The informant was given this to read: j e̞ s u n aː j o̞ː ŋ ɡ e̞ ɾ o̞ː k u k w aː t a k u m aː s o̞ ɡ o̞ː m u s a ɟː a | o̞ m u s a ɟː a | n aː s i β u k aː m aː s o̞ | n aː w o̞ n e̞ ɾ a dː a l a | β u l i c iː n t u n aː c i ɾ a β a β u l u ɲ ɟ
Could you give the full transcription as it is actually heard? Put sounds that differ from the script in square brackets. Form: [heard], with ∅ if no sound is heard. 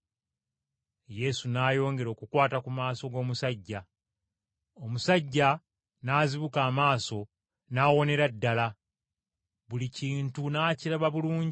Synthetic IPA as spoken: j e̞ s u n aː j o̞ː ŋ ɡ e̞ ɾ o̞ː k u k w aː t a k u m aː s o̞ ɡ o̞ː m u s a ɟː a | o̞ m u s a ɟː a | n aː [z] i β u k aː m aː s o̞ | n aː w o̞ n e̞ ɾ a dː a l a | β u l i c iː n t u n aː c i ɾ a β a β u l [uː] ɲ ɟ